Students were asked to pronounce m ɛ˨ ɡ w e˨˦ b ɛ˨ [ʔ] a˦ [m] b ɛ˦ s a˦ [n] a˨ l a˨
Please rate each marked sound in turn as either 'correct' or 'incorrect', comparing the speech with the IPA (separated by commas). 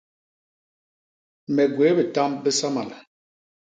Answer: incorrect, correct, incorrect